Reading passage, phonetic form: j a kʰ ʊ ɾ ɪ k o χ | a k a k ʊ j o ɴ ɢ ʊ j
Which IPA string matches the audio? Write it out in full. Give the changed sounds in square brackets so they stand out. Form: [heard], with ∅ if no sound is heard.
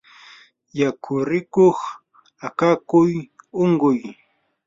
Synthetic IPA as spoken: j a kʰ ʊ ɾ ɪ k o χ | a k a k ʊ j o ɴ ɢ ʊ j